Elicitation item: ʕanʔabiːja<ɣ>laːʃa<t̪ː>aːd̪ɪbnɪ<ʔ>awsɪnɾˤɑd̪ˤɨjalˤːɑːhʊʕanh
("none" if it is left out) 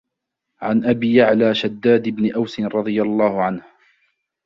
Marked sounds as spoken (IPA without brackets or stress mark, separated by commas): ʕ, d̪ː, ʔ